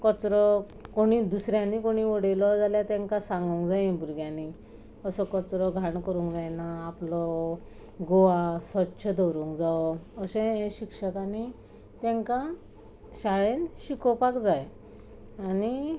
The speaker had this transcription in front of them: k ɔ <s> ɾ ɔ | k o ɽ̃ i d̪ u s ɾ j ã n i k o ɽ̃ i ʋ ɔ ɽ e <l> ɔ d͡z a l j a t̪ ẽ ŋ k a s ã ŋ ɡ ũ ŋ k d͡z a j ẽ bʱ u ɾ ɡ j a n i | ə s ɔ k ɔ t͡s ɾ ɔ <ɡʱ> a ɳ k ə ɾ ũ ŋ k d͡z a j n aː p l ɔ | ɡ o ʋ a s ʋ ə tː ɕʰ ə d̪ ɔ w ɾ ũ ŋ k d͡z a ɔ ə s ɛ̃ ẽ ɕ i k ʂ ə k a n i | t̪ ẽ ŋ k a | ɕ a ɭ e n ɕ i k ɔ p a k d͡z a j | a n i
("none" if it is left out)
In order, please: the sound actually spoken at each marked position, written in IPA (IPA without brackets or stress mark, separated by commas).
t͡s, l, ɡʱ